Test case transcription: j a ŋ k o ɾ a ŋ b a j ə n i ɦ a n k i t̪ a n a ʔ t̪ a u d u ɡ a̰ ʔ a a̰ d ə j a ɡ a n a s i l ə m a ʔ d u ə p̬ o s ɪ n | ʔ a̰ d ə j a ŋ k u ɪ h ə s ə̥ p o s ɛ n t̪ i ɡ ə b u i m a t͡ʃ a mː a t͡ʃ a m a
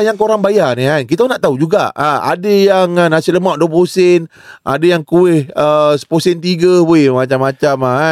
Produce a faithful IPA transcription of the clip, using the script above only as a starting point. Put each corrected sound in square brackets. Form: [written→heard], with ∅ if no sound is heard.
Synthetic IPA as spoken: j a ŋ k o ɾ a ŋ b a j [ə→a] n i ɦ a n k i t̪ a n a ʔ t̪ a u [d→d͡ʒ] u ɡ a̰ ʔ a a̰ d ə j a [ɡ→ŋ] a n a s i l ə m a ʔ d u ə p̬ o s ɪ n | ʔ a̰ d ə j a ŋ k u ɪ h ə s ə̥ p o s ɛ n t̪ i ɡ ə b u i m a t͡ʃ a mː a t͡ʃ a m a